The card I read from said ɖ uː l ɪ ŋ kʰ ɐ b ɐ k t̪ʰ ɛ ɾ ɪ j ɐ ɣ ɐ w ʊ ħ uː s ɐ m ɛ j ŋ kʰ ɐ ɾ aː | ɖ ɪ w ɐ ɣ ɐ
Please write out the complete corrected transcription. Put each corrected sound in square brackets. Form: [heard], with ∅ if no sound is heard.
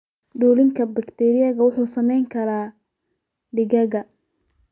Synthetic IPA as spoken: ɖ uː l ɪ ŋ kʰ ɐ b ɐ k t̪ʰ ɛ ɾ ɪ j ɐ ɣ ɐ w ʊ ħ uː s ɐ m ɛ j ŋ kʰ ɐ ɾ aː | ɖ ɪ [ɣ] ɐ ɣ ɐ